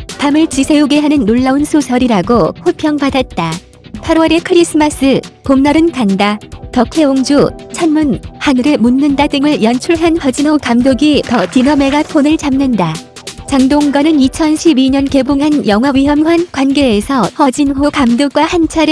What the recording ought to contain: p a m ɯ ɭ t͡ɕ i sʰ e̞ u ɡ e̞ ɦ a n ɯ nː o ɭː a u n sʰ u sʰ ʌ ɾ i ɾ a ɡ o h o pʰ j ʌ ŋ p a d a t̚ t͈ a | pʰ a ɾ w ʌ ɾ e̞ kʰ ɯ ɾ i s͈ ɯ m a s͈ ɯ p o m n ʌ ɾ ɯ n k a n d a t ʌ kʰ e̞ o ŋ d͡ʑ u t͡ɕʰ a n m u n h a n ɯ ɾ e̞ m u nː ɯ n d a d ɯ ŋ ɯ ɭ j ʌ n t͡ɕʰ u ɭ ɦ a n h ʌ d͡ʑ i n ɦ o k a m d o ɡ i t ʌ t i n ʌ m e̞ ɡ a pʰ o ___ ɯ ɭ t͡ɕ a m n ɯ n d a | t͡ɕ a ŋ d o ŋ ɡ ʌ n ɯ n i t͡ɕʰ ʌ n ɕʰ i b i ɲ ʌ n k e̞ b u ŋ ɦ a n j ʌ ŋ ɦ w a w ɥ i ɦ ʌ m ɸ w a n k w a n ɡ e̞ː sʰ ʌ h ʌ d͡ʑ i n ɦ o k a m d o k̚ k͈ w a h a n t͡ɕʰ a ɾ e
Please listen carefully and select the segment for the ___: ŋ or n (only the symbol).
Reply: n